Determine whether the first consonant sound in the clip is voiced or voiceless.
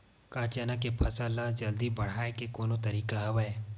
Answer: voiceless